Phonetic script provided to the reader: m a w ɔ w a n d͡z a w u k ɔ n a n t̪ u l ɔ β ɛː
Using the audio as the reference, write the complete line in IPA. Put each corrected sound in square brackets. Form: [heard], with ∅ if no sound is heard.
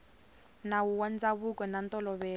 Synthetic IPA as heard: [n] a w [u] w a n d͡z a [β] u k ɔ n a n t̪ [ɔ] l ɔ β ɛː